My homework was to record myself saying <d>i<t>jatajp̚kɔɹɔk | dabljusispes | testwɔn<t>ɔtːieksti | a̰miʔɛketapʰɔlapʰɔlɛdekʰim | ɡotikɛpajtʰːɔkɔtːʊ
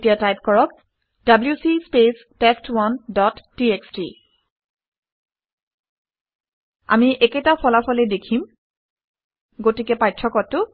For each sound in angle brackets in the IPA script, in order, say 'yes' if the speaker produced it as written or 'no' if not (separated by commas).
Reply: no, no, no